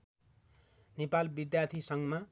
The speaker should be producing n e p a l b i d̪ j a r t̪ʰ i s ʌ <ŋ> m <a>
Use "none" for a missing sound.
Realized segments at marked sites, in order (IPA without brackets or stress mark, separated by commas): ŋ, a